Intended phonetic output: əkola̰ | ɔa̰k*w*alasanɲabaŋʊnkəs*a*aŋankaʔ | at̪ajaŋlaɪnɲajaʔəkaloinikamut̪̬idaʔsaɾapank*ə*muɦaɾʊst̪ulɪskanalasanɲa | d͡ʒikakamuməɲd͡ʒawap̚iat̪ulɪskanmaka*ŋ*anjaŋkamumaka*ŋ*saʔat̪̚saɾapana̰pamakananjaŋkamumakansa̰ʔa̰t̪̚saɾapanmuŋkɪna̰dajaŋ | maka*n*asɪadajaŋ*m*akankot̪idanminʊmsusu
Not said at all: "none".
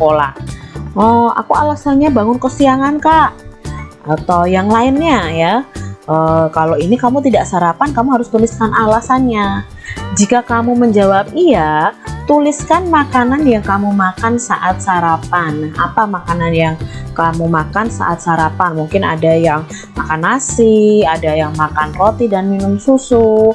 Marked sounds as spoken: u, i, a, n, n, n, m

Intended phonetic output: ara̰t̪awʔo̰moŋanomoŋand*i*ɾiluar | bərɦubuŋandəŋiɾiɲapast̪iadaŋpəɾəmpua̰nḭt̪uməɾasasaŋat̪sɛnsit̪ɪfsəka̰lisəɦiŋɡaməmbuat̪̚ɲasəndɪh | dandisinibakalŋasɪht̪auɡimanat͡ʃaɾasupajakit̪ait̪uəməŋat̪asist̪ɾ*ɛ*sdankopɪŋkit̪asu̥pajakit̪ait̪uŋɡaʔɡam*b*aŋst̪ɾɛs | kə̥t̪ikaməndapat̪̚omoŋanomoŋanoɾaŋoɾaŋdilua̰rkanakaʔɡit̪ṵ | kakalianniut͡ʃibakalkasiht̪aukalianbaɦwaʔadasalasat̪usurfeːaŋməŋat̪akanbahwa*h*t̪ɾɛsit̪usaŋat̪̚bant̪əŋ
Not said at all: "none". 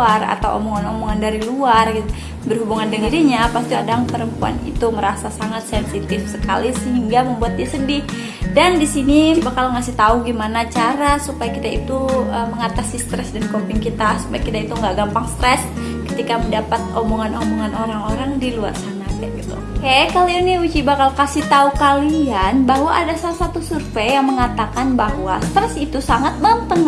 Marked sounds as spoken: a, ɛ, p, s

